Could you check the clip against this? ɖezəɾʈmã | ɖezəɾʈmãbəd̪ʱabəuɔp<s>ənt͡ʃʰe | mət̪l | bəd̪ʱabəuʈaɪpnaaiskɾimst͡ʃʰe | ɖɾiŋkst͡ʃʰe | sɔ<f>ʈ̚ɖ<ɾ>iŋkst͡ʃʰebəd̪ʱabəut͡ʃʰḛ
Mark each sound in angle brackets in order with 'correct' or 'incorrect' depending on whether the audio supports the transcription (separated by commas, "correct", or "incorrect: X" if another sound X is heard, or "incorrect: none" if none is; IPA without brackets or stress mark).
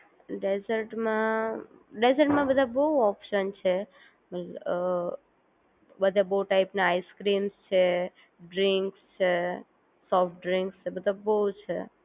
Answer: incorrect: ʃ, correct, correct